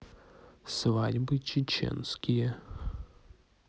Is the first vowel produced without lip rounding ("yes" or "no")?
yes